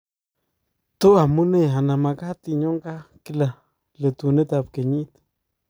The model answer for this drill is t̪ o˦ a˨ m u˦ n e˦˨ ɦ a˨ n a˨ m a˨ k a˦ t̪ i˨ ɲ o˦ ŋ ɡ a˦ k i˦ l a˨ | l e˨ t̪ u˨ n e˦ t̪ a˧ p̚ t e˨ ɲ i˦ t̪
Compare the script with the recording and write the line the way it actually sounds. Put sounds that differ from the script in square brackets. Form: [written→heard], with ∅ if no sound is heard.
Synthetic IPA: t̪ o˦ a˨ m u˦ n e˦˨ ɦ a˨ n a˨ m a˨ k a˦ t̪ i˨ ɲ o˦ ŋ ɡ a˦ k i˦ l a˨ | l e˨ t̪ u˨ n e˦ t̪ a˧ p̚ [t→k] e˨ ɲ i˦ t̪